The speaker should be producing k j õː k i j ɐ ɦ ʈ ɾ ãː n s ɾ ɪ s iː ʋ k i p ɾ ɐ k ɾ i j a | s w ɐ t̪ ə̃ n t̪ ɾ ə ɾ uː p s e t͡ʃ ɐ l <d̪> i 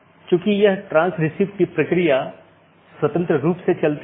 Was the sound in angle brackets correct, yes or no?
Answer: no